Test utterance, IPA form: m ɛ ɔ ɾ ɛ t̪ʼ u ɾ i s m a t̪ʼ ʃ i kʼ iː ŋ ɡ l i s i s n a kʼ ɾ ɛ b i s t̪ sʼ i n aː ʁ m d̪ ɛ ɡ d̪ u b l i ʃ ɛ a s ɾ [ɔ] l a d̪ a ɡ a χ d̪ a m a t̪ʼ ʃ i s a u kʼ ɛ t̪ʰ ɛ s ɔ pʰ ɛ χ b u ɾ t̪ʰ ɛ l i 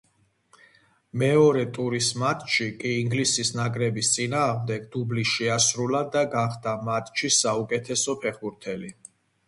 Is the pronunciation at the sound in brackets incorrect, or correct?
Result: incorrect